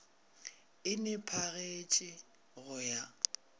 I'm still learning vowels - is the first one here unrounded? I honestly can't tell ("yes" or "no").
yes